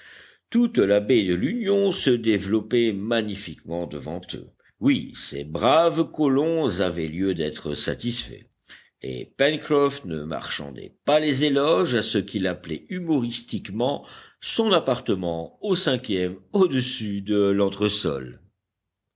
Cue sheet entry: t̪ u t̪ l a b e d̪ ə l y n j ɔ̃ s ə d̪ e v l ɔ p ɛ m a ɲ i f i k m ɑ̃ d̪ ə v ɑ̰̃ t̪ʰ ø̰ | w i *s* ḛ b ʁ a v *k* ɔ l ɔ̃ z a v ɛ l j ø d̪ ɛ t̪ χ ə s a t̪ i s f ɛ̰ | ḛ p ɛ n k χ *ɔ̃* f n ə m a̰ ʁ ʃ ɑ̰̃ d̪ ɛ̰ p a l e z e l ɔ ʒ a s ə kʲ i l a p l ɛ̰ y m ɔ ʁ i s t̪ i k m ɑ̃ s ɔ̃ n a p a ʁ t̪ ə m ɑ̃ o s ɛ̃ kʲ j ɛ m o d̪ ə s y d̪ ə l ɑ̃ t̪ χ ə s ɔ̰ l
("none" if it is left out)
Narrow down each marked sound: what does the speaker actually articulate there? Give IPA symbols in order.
s, k, ɔ

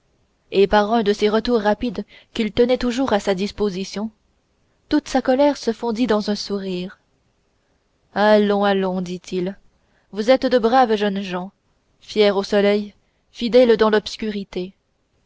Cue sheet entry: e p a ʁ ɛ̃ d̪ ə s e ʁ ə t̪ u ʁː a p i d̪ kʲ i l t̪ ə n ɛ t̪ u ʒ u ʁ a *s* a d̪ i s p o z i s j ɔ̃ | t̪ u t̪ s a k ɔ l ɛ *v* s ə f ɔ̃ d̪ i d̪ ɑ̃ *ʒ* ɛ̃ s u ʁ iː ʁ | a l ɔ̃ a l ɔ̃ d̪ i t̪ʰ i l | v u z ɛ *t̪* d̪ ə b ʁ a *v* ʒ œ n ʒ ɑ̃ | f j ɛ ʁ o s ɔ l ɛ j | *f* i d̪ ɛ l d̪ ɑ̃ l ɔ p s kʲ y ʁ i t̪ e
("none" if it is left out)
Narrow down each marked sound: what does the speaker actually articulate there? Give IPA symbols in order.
s, ʁ, z, t̪, v, f

